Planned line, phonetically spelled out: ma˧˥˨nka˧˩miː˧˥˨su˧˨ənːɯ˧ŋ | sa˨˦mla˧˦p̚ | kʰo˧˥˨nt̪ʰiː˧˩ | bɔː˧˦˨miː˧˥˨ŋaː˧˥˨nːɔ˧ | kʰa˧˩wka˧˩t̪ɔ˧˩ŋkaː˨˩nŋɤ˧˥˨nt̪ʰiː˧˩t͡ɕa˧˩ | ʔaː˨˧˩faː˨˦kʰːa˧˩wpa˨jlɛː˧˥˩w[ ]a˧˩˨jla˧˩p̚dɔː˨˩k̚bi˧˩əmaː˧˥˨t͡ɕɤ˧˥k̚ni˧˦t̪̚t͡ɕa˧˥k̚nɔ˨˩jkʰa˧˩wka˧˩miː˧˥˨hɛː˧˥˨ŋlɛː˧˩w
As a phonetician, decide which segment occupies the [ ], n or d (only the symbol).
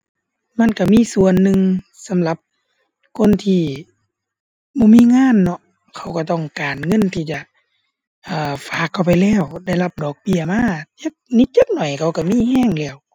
d